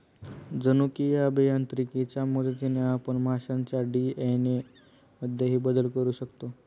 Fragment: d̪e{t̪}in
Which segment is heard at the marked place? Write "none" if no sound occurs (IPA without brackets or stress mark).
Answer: t̪